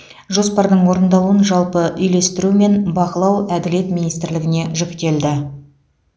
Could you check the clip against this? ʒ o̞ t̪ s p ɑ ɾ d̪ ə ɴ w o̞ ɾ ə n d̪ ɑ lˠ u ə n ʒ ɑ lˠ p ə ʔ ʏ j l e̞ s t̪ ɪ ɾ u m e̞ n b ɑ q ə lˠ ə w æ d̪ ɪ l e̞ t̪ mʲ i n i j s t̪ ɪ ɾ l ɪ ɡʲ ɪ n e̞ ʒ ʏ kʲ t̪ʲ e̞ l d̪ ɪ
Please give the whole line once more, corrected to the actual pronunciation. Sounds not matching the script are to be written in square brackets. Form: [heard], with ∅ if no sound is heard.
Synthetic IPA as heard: ʒ o̞ [∅] s p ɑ ɾ d̪ ə ɴ w o̞ ɾ ə n d̪ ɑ lˠ u ə n ʒ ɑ lˠ p ə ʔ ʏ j l e̞ s t̪ ɪ ɾ u m e̞ n b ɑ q ə lˠ [ɑ] w æ d̪ ɪ l e̞ t̪ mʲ i n i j s t̪ ɪ ɾ l ɪ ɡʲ ɪ n e̞ ʒ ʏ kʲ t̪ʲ e̞ l d̪ ɪ